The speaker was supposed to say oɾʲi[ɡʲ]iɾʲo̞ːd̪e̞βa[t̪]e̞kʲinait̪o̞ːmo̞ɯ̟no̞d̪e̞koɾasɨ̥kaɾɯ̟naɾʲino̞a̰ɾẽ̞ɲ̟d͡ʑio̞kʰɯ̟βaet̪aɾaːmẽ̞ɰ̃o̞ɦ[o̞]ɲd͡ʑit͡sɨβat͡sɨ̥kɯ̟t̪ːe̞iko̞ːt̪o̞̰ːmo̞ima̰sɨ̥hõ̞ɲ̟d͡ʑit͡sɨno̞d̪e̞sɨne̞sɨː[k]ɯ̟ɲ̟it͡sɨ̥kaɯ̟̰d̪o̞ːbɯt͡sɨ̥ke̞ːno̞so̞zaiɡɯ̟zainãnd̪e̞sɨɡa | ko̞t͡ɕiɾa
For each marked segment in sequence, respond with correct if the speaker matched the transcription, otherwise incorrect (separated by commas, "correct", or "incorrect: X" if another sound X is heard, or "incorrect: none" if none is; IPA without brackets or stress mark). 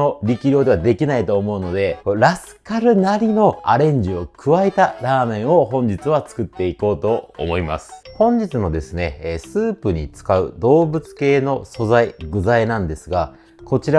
incorrect: kʲ, incorrect: d̪, incorrect: õ̞, incorrect: p